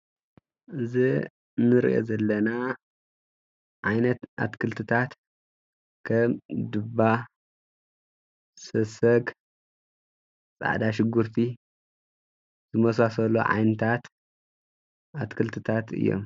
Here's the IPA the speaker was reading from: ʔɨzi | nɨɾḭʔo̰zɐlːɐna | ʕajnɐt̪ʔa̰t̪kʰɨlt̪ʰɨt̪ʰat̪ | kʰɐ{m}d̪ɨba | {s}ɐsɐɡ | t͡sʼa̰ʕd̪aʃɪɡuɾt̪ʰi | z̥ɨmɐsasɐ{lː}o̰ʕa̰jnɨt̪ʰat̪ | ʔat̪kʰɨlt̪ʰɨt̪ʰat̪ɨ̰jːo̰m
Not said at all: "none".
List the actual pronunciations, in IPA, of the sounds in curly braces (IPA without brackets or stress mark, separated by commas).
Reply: m, s, l